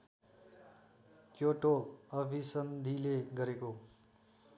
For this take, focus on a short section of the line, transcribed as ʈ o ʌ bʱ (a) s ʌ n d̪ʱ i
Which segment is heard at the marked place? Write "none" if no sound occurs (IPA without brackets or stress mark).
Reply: i